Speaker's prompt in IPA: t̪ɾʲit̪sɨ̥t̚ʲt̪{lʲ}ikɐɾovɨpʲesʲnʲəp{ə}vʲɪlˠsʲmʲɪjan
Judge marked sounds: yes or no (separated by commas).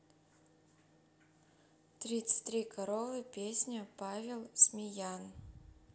no, no